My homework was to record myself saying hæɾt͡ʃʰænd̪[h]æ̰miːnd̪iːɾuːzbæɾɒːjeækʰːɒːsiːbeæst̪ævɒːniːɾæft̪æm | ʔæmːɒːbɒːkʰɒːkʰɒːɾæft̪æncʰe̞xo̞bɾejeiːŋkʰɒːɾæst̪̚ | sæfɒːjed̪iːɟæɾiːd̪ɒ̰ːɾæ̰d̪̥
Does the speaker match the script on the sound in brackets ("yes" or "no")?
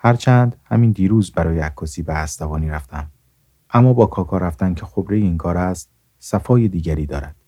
yes